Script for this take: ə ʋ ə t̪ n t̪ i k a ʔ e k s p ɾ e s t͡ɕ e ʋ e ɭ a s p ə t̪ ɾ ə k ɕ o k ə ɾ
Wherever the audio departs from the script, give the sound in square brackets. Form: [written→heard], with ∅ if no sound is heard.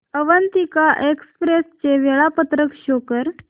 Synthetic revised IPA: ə ʋ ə [t̪→∅] n t̪ i k a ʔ e k s p ɾ e s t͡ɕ e ʋ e ɭ a [s→∅] p ə t̪ ɾ ə k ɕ o k ə ɾ